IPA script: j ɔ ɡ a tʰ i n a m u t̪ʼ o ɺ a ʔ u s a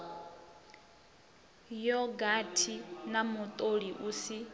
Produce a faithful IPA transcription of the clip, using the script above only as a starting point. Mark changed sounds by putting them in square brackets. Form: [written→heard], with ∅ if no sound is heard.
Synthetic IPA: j ɔ ɡ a tʰ i n a m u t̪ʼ o ɺ [a→i] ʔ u s [a→i]